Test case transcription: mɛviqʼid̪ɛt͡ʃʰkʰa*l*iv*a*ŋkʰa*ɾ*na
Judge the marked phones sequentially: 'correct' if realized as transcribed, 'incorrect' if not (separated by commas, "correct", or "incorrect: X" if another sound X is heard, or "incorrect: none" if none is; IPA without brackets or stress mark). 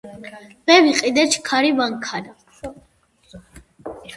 incorrect: ɾ, correct, incorrect: none